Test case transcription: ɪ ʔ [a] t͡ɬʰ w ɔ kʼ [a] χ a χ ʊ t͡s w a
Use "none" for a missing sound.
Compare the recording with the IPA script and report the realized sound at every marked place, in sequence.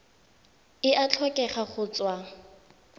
a, ɛ

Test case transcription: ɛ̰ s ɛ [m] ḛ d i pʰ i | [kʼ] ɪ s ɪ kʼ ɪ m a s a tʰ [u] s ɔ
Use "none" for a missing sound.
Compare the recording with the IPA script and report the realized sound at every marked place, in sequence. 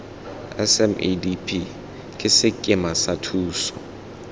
m, kʼ, uː

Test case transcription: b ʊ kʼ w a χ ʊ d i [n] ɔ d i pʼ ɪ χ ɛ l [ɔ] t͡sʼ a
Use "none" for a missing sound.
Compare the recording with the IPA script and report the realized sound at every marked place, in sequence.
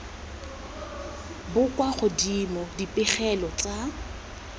m, ɔ

